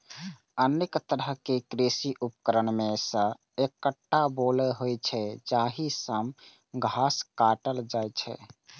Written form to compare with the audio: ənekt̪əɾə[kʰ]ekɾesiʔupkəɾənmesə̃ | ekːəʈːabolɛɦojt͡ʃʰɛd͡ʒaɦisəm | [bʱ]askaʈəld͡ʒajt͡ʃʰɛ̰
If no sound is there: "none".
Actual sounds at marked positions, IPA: k, ɡʱ

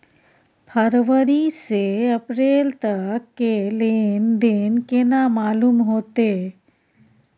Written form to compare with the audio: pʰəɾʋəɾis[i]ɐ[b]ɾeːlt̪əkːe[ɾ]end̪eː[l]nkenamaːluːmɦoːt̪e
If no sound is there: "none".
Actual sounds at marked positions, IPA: e, p, l, none

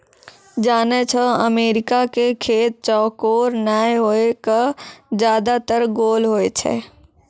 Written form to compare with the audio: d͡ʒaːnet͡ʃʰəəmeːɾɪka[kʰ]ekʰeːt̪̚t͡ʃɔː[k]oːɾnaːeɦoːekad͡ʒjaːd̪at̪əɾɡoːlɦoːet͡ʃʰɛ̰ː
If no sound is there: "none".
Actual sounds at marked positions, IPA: k, k

